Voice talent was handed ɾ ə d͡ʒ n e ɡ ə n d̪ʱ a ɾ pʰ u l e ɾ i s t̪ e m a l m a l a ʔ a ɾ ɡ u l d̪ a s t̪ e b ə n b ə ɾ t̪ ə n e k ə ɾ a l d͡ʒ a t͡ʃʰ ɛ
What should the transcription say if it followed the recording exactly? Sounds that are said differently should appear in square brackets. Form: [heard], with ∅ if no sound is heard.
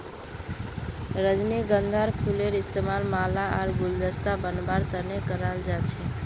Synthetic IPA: ɾ ə d͡ʒ n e ɡ ə n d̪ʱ a ɾ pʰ u l e ɾ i s t̪ e m a l m a l a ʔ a ɾ ɡ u l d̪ [ə] s t̪ [a] b ə n b [a] ɾ t̪ ə n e k ə ɾ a l d͡ʒ a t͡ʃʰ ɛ

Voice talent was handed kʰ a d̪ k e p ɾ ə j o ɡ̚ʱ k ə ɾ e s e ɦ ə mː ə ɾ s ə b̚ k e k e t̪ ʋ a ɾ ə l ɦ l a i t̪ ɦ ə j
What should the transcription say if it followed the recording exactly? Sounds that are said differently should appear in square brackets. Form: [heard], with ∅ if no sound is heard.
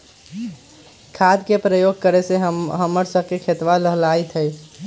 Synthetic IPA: kʰ a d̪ k e p ɾ ə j o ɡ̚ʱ k ə ɾ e s e ɦ ə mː ə ɾ s ə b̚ k e [kʰ] e t̪ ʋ a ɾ ə [∅] ɦ l a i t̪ ɦ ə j

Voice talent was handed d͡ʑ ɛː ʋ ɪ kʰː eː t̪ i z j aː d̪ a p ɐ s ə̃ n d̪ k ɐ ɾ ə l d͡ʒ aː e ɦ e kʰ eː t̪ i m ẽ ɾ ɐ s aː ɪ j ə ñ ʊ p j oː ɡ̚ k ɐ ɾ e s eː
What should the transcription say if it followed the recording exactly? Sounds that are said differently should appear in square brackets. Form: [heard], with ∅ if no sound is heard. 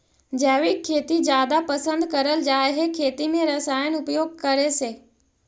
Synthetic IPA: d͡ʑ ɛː ʋ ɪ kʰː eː t̪ i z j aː d̪ a p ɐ s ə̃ n d̪ k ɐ ɾ ə l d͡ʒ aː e ɦ e kʰ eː t̪ i m ẽ ɾ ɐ s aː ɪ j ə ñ ʊ p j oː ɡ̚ k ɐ ɾ e s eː

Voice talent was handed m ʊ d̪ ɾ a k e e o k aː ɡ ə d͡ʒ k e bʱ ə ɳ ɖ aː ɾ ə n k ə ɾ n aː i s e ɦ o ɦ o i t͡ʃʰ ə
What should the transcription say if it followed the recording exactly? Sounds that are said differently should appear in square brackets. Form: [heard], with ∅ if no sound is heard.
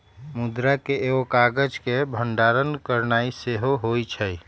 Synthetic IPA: m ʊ d̪ ɾ a k e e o k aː ɡ ə d͡ʒ k e bʱ ə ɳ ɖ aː ɾ ə n k ə ɾ n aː i s e ɦ o ɦ o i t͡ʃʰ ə

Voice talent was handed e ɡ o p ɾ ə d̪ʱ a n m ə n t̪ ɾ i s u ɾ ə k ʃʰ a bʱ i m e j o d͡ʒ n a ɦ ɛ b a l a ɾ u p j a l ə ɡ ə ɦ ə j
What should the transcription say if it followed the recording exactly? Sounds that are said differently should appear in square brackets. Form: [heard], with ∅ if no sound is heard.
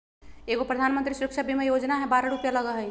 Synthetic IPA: e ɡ o p ɾ ə d̪ʱ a n m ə n t̪ ɾ i s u ɾ ə k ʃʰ a bʱ i m e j o d͡ʒ n a ɦ ɛ b a [ɾ] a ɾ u p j a l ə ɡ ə ɦ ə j

